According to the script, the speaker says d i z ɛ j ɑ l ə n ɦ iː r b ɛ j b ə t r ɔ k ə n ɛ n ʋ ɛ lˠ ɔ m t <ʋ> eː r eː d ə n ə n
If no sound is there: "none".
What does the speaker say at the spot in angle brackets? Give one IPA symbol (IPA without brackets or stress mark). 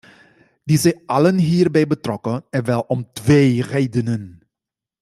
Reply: ʋ